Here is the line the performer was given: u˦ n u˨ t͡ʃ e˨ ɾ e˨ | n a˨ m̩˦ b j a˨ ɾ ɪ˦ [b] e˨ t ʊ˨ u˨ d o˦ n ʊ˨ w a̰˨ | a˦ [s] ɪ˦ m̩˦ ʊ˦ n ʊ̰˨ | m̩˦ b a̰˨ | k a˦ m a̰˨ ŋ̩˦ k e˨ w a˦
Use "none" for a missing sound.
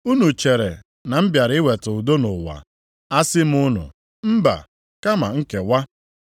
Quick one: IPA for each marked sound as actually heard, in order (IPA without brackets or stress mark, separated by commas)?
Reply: w, s